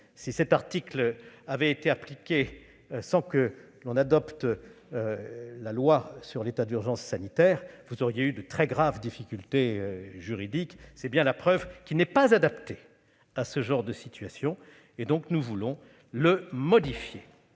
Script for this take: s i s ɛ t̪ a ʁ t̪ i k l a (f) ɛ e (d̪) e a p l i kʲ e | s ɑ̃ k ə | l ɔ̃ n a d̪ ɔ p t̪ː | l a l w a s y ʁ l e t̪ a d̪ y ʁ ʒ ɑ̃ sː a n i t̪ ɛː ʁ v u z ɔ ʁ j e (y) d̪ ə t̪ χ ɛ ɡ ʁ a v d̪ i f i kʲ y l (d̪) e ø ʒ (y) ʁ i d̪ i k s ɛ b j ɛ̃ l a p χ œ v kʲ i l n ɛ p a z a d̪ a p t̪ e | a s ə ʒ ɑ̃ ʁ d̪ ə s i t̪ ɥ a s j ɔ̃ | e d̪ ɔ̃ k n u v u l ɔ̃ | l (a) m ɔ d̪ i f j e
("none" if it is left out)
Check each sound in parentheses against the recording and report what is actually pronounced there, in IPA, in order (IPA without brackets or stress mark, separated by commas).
v, t̪, y, t̪, y, ə